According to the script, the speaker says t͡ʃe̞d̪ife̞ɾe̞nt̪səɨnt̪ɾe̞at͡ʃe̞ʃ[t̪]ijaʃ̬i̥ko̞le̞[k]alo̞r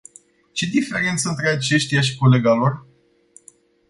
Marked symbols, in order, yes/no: yes, no

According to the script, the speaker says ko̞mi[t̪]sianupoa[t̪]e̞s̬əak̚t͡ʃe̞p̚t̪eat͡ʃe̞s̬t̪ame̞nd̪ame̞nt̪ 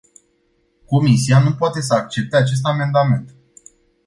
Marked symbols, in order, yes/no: no, yes

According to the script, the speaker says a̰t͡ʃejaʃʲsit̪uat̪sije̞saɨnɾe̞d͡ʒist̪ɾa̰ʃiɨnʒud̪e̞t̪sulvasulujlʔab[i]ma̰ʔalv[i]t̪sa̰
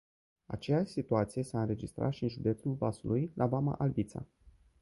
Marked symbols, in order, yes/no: no, yes

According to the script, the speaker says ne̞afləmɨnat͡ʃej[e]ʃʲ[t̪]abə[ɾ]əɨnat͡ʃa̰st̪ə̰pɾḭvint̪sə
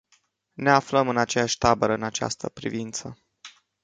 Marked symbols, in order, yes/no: no, yes, yes

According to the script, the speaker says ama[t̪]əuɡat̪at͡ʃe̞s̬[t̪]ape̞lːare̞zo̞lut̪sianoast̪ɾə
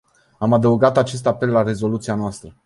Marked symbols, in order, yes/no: no, yes

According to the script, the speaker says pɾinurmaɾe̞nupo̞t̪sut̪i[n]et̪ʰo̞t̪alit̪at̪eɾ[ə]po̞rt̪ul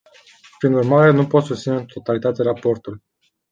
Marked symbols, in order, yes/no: yes, no

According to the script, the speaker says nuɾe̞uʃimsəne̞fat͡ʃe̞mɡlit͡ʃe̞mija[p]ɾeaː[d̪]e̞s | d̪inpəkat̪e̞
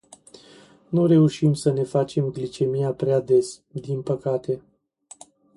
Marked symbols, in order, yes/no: yes, yes

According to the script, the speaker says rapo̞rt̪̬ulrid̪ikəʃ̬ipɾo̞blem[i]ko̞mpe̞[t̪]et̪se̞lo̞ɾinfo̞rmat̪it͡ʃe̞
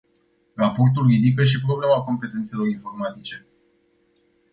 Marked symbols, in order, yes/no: no, yes

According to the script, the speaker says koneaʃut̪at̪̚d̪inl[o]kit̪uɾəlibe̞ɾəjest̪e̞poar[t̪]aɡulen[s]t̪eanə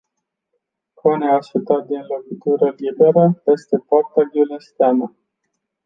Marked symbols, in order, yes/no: yes, yes, yes

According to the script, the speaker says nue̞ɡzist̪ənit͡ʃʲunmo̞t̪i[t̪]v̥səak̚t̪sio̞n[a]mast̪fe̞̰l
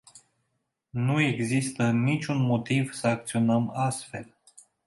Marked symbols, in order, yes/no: no, no

